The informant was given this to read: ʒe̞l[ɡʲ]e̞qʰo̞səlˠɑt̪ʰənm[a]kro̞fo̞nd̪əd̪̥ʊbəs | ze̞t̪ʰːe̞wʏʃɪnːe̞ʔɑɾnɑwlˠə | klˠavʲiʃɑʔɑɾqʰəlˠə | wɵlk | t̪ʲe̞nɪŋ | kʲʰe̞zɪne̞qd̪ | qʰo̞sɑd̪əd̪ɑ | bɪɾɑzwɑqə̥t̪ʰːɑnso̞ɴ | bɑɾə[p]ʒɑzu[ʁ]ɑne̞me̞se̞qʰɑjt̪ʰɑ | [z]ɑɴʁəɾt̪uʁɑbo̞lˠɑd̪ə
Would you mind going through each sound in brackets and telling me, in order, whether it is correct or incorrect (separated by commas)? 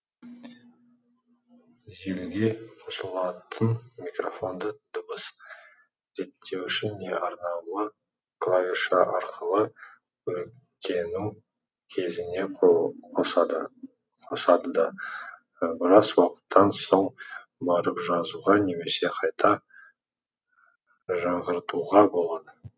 correct, incorrect, correct, correct, incorrect